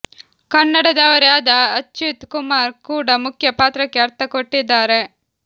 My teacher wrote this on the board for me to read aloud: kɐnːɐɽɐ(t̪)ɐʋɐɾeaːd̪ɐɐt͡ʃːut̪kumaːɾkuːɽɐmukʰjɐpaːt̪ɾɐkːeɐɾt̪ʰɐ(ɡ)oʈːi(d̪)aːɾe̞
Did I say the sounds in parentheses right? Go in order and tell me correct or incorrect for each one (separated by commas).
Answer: incorrect, incorrect, incorrect